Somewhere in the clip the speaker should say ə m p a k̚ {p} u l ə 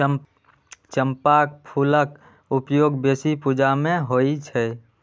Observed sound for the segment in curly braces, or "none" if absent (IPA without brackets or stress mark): pʰ